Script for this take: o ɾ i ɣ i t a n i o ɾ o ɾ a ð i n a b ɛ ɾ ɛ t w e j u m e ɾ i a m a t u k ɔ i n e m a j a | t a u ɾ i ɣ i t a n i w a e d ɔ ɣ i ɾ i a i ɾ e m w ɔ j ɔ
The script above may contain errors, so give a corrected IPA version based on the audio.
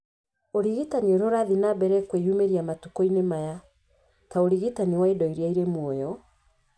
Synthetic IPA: o ɾ i ɣ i t a n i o ɾ o ɾ a ð i n a b ɛ ɾ ɛ k w e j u m e ɾ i a m a t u k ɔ i n e m a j a | t a o ɾ i ɣ i t a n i w a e d ɔ i ɾ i a i ɾ e m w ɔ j ɔ

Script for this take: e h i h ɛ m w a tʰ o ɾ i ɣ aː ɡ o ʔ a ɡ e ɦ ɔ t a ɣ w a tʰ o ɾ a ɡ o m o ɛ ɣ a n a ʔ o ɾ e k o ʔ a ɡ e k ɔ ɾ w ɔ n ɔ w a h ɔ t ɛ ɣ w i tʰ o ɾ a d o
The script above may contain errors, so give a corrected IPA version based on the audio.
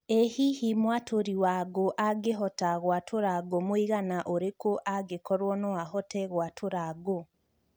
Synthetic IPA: e h i h i m w a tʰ o ɾ i w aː ɡ o ʔ a ɡ e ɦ ɔ t a ɣ w a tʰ o ɾ a ɡ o m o i ɣ a n a ʔ o ɾ e k o ʔ a ɡ e k ɔ ɾ w ɔ n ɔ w a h ɔ t ɛ ɣ w a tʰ o ɾ a ɡ o

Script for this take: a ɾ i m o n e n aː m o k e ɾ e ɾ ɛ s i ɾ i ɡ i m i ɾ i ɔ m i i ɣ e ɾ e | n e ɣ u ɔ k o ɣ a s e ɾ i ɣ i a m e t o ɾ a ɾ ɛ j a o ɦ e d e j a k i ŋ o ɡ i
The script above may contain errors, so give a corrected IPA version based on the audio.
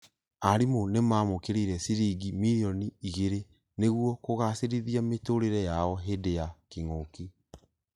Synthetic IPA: a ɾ i m o n e m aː m o k e ɾ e ɾ ɛ s i ɾ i ɡ i m i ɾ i ɔ n i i ɣ e ɾ e | n e ɣ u ɔ k o ɣ a s e ɾ i ð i a m e t o ɾ e ɾ ɛ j a ɔ ɦ e d e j a k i ŋ o k i

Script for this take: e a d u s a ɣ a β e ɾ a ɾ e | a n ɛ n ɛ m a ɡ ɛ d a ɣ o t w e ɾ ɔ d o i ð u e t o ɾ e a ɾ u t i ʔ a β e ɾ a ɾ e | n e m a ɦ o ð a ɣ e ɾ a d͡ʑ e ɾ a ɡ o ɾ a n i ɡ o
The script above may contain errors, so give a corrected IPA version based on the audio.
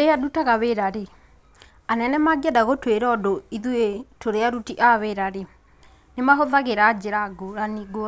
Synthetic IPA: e a d u t a ɣ a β e ɾ a ɾ e | a n ɛ n ɛ m a ɡ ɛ d a ɣ o t w e ɾ ɔ d o i ð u e t o ɾ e a ɾ u t i ʔ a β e ɾ a ɾ e | n e m a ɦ o ð a ɣ e ɾ a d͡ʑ e ɾ a ɡ o ɾ a n i ɡ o

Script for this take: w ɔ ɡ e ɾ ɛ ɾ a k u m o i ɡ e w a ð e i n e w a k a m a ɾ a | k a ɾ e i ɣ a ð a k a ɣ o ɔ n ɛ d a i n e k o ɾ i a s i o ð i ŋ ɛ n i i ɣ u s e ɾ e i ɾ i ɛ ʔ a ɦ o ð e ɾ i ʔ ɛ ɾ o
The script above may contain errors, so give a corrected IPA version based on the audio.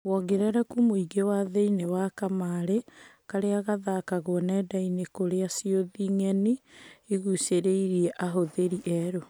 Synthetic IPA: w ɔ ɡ e ɾ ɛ ɾ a k u m o i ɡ e w a ð e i n e w a k a m a ɾ e | k a ɾ e a ɣ a ð a k a ɣ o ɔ n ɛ d a i n e k o ɾ e a s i o ð i ŋ ɛ n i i ɣ u s e ɾ e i ɾ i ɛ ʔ a ɦ o ð e ɾ i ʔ ɛ ɾ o

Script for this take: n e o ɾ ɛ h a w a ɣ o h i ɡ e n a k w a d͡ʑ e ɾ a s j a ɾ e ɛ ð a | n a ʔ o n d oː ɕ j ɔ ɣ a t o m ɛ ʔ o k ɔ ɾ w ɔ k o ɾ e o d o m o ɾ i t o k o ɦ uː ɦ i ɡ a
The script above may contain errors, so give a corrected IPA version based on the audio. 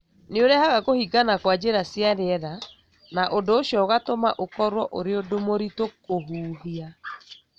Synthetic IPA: n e o ɾ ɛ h a ɣ a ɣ o h i ɡ a n a k w a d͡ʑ e ɾ a s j a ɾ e ɛ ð a | n a ʔ o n d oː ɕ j ɔ ɣ a t o m a ʔ o k ɔ ɾ w ɔ ʔ o ɾ e o d o m o ɾ i t o k o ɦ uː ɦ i a

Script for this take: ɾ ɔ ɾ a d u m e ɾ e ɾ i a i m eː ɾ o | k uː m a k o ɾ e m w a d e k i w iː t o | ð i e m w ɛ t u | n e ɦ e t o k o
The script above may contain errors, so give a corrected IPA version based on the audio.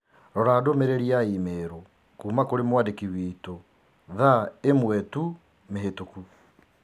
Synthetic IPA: ɾ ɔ ɾ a d o m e ɾ e ɾ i a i m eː ɾ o | k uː m a k o ɾ e m w a d e k i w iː t o | ð a e m w ɛ t u | m e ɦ e t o k u

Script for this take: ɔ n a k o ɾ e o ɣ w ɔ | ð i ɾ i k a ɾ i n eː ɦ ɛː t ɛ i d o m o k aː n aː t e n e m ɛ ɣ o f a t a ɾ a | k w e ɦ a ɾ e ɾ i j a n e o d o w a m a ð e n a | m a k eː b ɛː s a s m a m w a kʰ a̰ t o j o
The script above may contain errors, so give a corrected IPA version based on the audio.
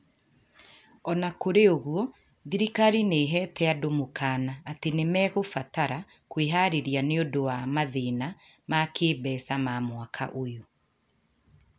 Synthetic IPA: ɔ n a k o ɾ e o ɣ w ɔ | ð i ɾ i k a ɾ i n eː ɦ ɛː t ɛ a d o m o k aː n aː t e n e m ɛ ɣ o f a t a ɾ a | k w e ɦ a ɾ e ɾ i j a n e o d o w a m a ð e n a | m a k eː b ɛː s a m a m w a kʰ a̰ ʔ o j o

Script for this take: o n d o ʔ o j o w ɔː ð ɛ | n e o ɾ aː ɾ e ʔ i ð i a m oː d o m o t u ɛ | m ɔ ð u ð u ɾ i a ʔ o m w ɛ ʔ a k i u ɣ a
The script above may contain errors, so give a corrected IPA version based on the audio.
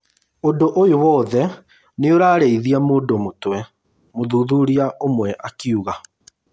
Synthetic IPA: o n d o ʔ o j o w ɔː ð ɛ | n e o ɾ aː ɾ e i ð i a m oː d o m o t w ɛ | m o ð u ð u ɾ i a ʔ o m w ɛ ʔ a k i u ɣ a

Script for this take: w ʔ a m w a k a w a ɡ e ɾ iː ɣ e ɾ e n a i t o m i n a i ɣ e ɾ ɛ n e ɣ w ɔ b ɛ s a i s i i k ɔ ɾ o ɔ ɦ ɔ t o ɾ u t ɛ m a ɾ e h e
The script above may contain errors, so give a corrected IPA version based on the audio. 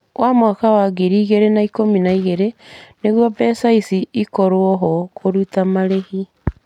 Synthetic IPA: w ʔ a m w a k a w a ɡ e ɾ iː ɣ e ɾ e n a i k o m i n a i ɣ e ɾ e n e ɣ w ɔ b ɛ s a i s i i k ɔ ɾ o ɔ ɦ ɔ k o ɾ u t a m a ɾ e h i

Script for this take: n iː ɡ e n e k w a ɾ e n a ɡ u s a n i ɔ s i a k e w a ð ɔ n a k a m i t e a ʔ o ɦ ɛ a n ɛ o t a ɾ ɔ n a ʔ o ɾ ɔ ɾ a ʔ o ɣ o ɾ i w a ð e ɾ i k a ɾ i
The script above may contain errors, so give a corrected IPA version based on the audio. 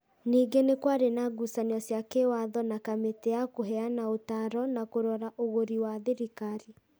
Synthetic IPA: n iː ɡ e n e k w a ɾ e n a ɡ u s a n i ɔ s j a k e w a ð ɔ n a k a m e t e a k o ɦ ɛ a n a o t a ɾ ɔ n a k o ɾ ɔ ɾ a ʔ o ɣ o ɾ i w a ð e ɾ i k a ɾ i

